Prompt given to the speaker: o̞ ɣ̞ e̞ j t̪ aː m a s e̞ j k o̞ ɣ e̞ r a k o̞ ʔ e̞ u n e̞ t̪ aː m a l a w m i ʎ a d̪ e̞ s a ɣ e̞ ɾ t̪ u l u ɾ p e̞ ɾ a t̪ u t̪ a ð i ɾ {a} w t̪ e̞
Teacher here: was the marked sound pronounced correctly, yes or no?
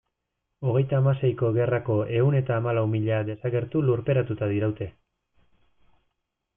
yes